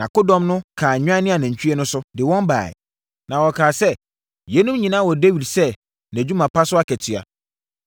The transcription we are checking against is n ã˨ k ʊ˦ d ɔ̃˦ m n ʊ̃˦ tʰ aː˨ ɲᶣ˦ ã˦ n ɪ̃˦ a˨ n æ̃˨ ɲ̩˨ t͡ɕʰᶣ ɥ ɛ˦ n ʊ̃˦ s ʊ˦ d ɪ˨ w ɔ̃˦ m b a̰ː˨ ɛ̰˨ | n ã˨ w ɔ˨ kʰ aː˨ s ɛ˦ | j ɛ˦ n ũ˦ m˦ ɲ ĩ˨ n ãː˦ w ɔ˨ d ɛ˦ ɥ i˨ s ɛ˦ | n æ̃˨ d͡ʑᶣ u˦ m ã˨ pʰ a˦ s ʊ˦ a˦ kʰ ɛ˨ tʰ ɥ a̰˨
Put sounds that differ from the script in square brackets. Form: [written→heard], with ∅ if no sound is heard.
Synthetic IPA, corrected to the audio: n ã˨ k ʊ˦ d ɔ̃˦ m n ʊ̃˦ [tʰ→kʰ] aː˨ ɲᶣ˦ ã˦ n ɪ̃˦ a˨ n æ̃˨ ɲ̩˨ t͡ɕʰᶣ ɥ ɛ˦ n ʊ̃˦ s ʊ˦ d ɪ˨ w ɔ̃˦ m b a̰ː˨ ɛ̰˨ | n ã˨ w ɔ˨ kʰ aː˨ s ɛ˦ | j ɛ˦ n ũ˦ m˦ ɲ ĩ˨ n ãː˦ w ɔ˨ d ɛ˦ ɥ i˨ s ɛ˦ | n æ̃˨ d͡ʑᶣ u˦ m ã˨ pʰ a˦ s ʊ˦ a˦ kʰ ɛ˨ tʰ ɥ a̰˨